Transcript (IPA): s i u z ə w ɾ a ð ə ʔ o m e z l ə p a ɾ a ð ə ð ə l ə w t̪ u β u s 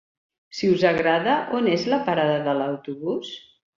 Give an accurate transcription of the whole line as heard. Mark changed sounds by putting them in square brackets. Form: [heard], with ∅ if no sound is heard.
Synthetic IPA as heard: s i u z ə [ɣ] ɾ a ð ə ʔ o [n] e z l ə p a ɾ a ð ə ð ə l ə w t̪ u β u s

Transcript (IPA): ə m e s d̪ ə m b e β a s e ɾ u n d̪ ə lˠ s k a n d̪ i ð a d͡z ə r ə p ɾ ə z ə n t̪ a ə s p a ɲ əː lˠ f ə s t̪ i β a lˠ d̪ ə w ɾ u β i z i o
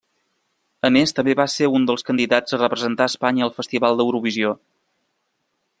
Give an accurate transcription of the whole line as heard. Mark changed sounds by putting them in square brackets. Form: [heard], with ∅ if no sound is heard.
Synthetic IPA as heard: ə m e s [t̪] ə m b e β a s e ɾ u n d̪ ə lˠ s k [ə] n d̪ i ð a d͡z ə r ə p ɾ ə z ə n t̪ a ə s p a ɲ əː lˠ f ə s t̪ i β a lˠ d̪ ə w ɾ u β i z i o

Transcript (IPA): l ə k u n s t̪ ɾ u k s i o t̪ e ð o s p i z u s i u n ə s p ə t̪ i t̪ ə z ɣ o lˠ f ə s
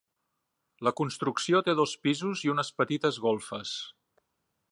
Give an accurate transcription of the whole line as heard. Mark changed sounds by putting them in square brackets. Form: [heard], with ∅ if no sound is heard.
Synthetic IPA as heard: l ə k u n s t̪ ɾ u k s i o t̪ e ð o s p i z u [z] i u n ə s p ə t̪ i t̪ ə z ɣ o lˠ f ə s

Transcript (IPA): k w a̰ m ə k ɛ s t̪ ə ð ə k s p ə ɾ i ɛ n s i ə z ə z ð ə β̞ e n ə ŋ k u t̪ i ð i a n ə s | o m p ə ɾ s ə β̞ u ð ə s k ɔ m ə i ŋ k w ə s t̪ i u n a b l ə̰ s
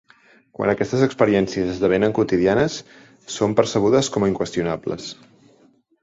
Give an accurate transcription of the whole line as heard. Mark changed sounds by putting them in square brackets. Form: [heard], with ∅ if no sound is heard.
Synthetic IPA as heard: k w a̰ [n] ə k ɛ s t̪ ə [z] ə k s p ə ɾ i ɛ n s i ə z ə z ð ə β̞ e n ə ŋ k u t̪ i ð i a n ə [sː] | o m p ə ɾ s ə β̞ u ð ə s k ɔ m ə i ŋ k w ə s t̪ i u n a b l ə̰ s

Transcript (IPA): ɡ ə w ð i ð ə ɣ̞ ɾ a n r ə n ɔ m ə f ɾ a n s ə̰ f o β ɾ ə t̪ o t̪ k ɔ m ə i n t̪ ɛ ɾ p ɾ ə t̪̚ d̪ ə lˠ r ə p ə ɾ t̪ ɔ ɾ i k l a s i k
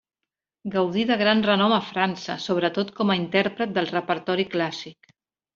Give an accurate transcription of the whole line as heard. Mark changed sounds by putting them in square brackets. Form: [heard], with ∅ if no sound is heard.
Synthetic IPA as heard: ɡ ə w ð i ð ə ɣ̞ ɾ a n r ə n ɔ m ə f ɾ a n s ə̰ [s] o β ɾ ə t̪ o t̪ k ɔ m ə i n t̪ ɛ ɾ p ɾ ə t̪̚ d̪ ə lˠ r ə p ə ɾ t̪ ɔ ɾ i k l a s i k

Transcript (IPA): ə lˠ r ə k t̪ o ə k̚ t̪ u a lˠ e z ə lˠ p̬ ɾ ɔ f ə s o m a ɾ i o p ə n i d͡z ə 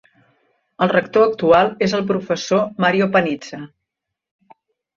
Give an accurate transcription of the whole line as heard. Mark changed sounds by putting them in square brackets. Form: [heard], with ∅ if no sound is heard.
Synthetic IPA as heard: ə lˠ r ə k t̪ o ə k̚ t̪ u a lˠ e z ə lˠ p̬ ɾ [u] f ə s o m a ɾ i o p ə n i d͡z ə

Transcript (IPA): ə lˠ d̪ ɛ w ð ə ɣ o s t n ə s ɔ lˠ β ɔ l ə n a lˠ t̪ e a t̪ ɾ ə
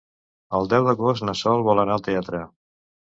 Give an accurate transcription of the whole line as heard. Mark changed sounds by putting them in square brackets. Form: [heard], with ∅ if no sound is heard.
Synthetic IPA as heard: ə lˠ d̪ ɛ w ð ə ɣ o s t n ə s ɔ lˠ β ɔ l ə n a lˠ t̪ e a t̪ ɾ ə

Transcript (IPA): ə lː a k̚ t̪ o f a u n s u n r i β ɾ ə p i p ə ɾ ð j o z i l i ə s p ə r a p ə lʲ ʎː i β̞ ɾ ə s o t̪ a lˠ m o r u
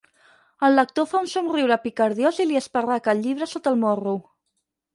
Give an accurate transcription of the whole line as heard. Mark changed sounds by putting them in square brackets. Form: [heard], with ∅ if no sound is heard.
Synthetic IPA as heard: ə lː [ə] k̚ t̪ o f a u n s u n r i [w] ɾ ə p i [k] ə ɾ ð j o z i l i ə s p ə r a [k] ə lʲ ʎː i β̞ ɾ ə s o t̪ [ə] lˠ m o r u

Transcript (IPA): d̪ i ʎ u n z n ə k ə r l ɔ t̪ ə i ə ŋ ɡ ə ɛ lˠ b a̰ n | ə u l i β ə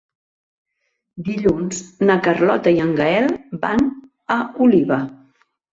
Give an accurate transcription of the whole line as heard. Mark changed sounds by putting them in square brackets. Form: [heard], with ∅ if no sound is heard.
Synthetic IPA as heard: d̪ i ʎ u n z n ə k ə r l ɔ t̪ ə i ə ŋ ɡ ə ɛ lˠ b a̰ n | ə u l i β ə

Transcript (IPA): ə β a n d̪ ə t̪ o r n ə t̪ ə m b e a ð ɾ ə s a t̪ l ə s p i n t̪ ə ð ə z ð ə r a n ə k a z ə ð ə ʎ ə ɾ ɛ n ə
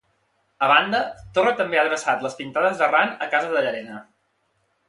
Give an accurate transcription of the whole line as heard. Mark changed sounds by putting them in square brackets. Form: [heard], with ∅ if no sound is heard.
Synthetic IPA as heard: ə β a n d̪ ə t̪ o r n ə t̪ ə m b e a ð ɾ ə s a t̪ l ə s p i n t̪ [a] ð ə z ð ə r a n ə k a z ə ð ə ʎ ə ɾ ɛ n ə

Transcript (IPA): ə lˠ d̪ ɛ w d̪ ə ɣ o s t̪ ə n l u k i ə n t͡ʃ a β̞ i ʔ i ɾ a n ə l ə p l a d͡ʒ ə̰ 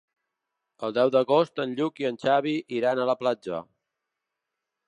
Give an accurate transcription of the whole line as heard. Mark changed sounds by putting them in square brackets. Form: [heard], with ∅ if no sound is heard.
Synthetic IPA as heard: ə lˠ d̪ ɛ w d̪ ə ɣ o s t̪ ə n [ʎ] u k i ə n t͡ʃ a β̞ i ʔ i ɾ a n ə l ə p l a d͡ʒ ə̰

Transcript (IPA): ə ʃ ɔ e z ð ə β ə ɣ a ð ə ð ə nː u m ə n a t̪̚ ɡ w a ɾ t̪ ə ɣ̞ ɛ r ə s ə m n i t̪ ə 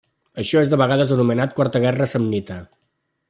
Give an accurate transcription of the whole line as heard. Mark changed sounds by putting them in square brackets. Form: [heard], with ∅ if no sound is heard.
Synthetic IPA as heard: ə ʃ ɔ e z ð ə β ə ɣ a ð ə [z] ə [n] u m ə n a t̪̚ [k] w a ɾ t̪ ə ɣ̞ ɛ r ə s ə m n i t̪ ə

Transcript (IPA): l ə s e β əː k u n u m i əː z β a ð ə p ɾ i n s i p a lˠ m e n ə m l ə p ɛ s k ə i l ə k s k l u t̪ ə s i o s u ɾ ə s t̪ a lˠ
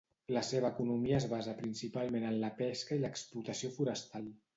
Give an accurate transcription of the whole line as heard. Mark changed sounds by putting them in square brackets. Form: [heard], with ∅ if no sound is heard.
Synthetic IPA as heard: l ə s e β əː k u n u m i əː z β a [z] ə p ɾ i n s i p a lˠ m e n ə [n] l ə p ɛ s k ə i l ə k s [p] l u t̪ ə s i o [f] u ɾ ə s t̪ a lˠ

